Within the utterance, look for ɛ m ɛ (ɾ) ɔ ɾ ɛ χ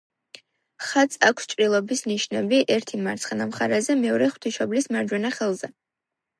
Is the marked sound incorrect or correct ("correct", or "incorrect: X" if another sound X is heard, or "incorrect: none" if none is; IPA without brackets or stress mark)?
incorrect: none